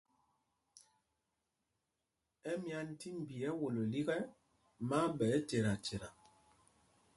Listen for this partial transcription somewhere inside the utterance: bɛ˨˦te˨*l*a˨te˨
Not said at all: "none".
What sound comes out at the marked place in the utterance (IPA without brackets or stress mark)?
ɾ